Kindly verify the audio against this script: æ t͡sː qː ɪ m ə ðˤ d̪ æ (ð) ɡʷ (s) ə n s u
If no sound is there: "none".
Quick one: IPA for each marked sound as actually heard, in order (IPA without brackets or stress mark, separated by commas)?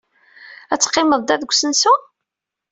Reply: ð, s